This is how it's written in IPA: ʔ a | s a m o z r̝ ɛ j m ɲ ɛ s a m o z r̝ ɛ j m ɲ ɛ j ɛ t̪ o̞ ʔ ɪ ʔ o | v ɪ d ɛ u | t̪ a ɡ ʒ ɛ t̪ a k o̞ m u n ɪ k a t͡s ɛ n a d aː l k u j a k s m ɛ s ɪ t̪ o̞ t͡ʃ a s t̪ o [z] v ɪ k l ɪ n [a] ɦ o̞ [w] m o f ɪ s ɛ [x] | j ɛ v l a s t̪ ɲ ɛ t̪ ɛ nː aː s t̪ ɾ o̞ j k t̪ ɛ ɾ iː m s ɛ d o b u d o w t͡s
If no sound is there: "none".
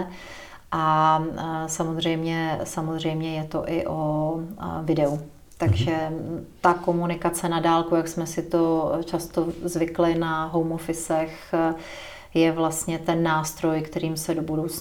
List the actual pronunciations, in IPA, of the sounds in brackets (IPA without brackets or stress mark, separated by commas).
z, a, w, x